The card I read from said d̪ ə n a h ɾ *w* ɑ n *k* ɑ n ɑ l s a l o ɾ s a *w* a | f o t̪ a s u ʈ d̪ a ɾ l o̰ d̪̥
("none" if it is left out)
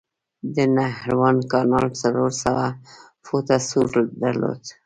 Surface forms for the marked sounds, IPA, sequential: w, k, w

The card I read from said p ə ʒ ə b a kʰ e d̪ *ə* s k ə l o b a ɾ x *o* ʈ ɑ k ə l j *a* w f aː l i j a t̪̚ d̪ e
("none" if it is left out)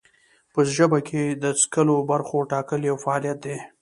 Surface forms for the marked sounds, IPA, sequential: ə, o, a

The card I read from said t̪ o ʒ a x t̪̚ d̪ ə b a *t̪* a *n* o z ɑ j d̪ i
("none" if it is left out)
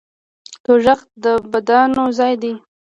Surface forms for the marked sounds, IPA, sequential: d̪, n

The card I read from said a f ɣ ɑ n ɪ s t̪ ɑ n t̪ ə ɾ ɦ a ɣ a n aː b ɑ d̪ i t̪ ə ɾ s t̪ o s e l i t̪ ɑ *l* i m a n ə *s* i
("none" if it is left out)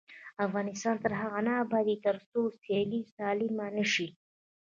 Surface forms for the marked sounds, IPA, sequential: l, ʃ

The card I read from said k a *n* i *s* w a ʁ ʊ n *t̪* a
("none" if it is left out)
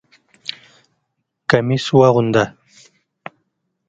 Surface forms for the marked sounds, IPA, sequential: m, s, d̪

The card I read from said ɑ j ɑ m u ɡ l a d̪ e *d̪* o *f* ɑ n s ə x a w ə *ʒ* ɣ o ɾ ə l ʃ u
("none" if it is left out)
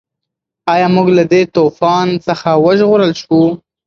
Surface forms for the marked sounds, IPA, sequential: t̪, f, ʒ

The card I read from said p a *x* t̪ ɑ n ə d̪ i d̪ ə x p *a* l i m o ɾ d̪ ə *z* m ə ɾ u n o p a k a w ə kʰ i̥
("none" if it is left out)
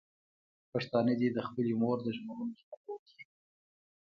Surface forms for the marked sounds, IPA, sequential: ʂ, ə, ʒ

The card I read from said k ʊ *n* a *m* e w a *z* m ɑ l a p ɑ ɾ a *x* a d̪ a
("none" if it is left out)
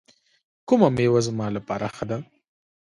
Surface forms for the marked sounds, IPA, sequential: m, m, z, x

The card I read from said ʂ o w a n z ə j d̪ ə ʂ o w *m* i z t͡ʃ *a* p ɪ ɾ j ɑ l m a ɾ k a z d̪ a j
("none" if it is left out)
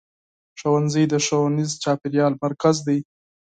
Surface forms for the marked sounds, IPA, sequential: n, ɑ

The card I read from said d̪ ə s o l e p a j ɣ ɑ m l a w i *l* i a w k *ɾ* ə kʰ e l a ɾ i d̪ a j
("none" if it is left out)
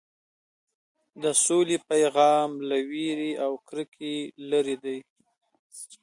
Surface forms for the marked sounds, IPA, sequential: ɾ, ɾ

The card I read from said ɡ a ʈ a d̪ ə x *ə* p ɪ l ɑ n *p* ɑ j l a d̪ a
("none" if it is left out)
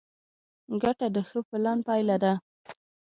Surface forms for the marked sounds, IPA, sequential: ə, p

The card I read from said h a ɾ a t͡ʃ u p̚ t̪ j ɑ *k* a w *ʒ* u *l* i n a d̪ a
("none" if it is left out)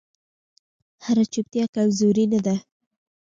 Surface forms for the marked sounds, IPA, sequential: k, z, ɾ

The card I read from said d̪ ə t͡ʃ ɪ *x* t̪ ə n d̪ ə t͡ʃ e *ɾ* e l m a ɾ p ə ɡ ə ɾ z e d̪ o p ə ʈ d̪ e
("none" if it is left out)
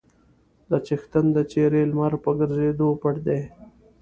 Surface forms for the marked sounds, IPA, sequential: x, ɾ

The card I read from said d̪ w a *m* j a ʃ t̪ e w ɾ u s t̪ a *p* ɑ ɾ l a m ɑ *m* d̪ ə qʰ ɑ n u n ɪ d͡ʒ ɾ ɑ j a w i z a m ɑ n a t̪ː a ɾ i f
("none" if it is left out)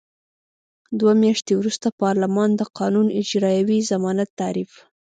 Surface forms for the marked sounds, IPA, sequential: m, p, n

